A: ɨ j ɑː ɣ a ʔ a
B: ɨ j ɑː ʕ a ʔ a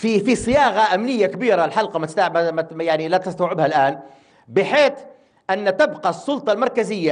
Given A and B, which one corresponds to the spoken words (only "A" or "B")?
A